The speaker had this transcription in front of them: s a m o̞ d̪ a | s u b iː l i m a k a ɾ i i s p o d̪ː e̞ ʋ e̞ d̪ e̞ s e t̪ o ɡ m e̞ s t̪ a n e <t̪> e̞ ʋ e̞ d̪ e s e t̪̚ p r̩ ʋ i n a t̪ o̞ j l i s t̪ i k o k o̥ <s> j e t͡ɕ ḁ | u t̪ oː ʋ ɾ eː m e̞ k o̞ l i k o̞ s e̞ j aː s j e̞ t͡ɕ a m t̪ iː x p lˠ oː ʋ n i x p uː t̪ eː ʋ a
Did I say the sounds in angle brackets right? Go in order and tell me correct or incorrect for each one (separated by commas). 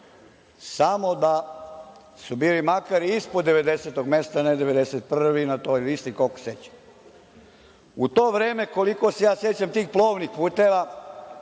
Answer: incorrect, correct